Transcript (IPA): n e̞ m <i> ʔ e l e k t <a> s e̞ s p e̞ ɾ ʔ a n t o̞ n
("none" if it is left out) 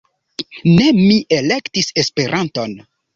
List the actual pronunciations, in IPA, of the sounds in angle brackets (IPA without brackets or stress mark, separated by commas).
i, i